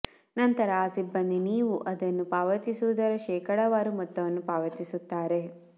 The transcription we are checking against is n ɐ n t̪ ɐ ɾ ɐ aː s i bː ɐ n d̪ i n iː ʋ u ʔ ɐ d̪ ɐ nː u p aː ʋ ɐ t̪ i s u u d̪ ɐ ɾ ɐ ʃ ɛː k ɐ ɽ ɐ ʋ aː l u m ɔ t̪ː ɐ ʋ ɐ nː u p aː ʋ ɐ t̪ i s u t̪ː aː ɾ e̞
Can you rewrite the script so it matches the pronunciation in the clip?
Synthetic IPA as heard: n ɐ n t̪ ɐ ɾ ɐ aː s i bː ɐ n d̪ i n iː ʋ u ʔ ɐ d̪ ɐ nː u p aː ʋ ɐ t̪ i s u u d̪ ɐ ɾ ɐ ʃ ɛː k ɐ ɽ ɐ ʋ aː ɾ u m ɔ t̪ː ɐ ʋ ɐ nː u p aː ʋ ɐ t̪ i s u t̪ː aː ɾ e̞